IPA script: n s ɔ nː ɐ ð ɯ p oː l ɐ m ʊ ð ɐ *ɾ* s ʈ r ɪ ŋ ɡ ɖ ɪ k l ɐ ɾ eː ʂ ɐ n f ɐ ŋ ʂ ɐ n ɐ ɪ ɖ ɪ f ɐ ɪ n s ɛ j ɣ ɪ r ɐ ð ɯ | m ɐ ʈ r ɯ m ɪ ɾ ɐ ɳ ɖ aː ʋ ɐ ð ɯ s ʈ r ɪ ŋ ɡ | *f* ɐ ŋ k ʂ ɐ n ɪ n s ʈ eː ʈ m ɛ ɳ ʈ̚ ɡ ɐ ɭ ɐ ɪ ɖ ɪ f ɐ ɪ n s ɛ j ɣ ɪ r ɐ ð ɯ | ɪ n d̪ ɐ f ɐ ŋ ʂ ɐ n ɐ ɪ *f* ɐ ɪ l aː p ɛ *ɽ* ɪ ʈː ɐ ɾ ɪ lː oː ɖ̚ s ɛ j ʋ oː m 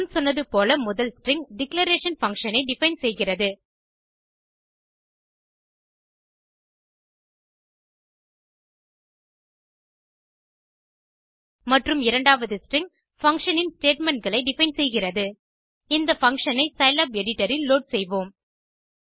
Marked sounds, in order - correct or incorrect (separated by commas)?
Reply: incorrect, correct, incorrect, correct